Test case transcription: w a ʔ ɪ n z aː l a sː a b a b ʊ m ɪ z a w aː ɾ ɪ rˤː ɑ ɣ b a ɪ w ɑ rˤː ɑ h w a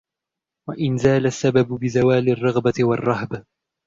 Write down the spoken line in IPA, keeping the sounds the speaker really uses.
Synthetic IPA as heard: w a ʔ ɪ n z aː l a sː a b a b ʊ b ɪ z a w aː l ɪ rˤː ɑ ɣ b a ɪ w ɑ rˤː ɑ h b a